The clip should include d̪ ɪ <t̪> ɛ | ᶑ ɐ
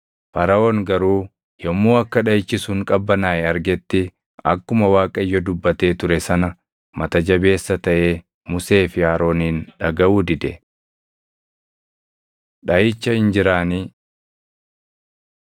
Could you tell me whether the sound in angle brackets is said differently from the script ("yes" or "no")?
yes